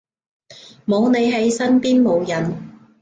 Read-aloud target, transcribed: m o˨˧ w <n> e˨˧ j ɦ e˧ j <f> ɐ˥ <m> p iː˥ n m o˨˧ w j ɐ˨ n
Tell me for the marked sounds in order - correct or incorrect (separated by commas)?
correct, incorrect, incorrect